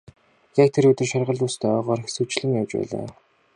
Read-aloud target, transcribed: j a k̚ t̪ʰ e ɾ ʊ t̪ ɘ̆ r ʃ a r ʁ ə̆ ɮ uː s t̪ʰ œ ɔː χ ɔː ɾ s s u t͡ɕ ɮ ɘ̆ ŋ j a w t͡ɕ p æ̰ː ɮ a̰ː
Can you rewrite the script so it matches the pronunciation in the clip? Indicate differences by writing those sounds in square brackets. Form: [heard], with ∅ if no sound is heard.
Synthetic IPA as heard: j a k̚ t̪ʰ e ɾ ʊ t̪ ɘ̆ r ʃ a r ʁ ə̆ ɮ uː s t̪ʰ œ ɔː [ʁ] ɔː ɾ [x] s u t͡ɕ ɮ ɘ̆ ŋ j a w t͡ɕ p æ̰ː ɮ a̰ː

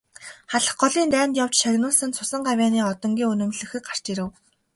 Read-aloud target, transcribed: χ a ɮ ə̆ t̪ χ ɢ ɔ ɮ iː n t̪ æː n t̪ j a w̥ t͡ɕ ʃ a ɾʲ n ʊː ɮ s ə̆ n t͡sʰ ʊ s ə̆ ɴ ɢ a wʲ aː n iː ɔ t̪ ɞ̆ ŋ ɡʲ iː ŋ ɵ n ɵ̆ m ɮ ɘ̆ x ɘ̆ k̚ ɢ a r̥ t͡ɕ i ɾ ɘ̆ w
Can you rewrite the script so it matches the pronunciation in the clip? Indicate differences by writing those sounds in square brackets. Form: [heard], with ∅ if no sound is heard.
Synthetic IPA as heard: χ a ɮ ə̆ [∅] χ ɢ ɔ ɮ iː n t̪ æː n t̪ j a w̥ t͡ɕ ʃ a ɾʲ n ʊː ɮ s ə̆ n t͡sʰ ʊ s ə̆ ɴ ɢ a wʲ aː n iː ɔ t̪ ɞ̆ ŋ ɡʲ iː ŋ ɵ n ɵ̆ m ɮ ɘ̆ x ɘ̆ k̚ ɢ a r̥ t͡ɕ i ɾ ɘ̆ w

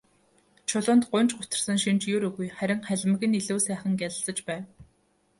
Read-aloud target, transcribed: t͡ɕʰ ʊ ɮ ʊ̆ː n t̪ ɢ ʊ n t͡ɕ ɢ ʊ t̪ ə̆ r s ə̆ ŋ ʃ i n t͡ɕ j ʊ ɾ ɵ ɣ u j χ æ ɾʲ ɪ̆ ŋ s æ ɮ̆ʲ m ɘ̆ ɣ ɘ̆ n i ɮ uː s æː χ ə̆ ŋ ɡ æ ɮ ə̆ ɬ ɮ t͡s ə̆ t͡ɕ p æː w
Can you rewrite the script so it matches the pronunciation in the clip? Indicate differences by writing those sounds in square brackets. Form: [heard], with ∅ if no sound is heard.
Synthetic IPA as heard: t͡ɕʰ ʊ ɮ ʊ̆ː n t̪ ɢ ʊ n t͡ɕ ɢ ʊ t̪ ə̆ r s ə̆ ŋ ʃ i n t͡ɕ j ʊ ɾ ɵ ɣ u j χ æ ɾʲ ɪ̆ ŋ [χ] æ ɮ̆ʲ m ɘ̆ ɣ ɘ̆ n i ɮ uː s æː χ ə̆ ŋ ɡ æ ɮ ə̆ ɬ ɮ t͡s ə̆ t͡ɕ p æː w

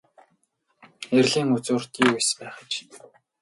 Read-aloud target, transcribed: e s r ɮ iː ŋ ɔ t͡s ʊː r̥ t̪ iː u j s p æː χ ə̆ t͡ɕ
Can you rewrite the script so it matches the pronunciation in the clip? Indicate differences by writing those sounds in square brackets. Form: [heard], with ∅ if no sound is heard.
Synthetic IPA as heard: e [∅] r ɮ iː ŋ [u] t͡s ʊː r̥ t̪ iː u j s p æː χ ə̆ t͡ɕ

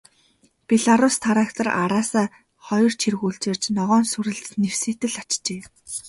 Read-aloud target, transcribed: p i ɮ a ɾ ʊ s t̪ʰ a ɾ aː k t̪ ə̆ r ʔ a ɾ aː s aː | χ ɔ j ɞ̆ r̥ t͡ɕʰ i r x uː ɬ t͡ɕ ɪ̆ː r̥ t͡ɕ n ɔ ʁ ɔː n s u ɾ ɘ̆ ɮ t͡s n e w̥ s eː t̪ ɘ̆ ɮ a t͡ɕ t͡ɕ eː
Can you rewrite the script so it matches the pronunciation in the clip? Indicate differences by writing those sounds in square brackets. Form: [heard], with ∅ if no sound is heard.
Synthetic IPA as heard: p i ɮ a ɾ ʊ s t̪ʰ a ɾ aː k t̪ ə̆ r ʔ a ɾ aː s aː | χ ɔ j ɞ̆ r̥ t͡ɕʰ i r [ɣ] uː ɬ t͡ɕ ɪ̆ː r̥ t͡ɕ n ɔ ʁ ɔː n s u ɾ ɘ̆ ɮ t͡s n e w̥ s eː t̪ ɘ̆ ɮ a t͡ɕ t͡ɕ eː

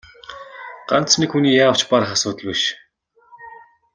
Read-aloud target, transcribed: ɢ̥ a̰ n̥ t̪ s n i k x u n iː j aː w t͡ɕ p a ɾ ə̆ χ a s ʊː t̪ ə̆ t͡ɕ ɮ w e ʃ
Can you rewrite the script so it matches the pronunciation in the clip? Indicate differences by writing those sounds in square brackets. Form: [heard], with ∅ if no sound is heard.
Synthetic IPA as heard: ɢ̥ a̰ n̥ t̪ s n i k x u n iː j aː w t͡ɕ p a ɾ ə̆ χ a s ʊː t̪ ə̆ [∅] ɮ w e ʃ

